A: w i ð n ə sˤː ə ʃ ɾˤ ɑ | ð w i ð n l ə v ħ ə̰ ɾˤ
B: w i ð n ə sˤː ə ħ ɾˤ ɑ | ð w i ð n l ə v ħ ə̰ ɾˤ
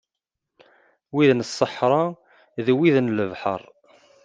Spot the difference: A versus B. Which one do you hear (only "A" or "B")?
B